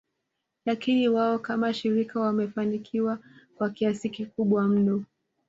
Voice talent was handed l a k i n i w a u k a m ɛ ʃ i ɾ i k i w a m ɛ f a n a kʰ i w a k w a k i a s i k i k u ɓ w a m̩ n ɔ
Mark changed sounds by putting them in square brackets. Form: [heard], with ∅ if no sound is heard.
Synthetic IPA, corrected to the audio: l a k i n i w a [ɔ] k a m [a] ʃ i ɾ i k [a] w a m ɛ f a n [i] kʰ i w a k w a k i a s i k i k u ɓ w a m̩ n ɔ